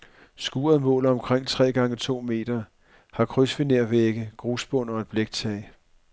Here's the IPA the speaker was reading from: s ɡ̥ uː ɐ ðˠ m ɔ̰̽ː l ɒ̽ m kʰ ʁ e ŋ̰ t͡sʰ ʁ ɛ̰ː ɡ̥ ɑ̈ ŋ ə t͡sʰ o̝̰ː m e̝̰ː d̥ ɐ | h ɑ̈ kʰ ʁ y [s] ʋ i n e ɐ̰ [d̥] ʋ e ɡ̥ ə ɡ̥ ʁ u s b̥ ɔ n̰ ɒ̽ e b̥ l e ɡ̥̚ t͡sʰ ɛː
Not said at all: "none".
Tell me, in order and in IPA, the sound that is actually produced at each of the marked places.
s, none

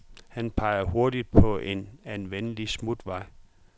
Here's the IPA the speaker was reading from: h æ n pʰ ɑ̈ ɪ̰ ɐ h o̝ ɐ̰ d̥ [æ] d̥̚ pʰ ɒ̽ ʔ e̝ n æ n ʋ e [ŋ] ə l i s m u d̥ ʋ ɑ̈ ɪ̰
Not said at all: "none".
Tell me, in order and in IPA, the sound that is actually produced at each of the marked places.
i, n

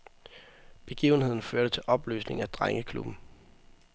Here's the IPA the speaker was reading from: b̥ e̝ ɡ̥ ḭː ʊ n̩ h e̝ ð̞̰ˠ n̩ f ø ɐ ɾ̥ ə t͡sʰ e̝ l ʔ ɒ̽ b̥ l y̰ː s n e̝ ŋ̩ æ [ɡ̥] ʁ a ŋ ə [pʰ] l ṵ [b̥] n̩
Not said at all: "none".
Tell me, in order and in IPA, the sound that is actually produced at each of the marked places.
d̥, kʰ, b̥

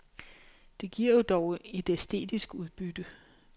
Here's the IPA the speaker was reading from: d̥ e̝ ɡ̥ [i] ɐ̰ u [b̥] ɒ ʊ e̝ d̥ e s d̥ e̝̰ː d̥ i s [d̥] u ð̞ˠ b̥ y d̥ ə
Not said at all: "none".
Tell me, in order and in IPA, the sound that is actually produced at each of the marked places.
i, d̥, ɡ̥

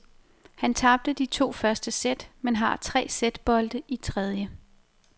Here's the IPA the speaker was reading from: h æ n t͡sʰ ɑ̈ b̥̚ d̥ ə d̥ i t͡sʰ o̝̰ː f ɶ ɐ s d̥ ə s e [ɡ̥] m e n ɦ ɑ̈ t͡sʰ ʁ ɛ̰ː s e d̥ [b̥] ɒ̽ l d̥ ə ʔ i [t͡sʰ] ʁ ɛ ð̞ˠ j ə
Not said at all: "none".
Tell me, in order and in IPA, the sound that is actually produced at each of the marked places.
d̥, b̥, t͡sʰ

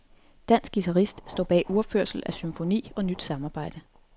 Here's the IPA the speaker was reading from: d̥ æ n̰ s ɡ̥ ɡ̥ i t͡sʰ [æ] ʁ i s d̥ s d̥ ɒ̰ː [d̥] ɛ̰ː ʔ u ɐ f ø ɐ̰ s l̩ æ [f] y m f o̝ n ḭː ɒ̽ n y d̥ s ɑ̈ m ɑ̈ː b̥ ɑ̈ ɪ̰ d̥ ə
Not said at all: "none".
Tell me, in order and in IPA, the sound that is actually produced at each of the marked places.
æ, b̥, s

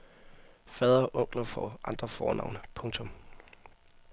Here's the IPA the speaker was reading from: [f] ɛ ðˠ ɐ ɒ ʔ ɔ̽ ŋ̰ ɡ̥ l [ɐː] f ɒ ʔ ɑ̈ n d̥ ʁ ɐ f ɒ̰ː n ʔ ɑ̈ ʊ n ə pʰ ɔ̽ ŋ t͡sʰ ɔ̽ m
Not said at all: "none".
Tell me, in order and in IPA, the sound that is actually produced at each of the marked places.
f, ɐ

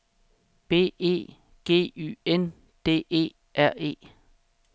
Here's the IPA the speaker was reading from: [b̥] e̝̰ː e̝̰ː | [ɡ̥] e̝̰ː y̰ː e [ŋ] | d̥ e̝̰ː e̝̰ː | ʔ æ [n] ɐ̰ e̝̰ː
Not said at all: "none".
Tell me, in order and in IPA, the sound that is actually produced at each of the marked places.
b̥, ɡ̥, n, none

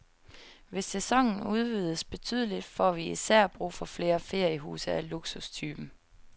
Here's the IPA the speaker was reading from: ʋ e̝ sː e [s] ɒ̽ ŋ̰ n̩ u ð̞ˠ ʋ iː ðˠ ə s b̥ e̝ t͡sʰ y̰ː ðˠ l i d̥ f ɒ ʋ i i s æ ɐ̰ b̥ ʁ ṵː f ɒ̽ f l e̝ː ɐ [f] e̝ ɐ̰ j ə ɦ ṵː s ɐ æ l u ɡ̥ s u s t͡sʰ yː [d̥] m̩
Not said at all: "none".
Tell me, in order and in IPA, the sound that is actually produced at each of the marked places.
s, f, b̥

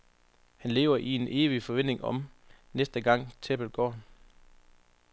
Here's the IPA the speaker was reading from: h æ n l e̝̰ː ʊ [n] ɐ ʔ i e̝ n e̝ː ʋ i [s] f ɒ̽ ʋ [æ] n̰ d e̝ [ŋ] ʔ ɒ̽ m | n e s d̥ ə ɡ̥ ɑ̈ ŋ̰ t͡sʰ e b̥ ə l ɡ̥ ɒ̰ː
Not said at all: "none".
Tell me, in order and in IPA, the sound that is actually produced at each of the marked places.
none, none, e, ŋ

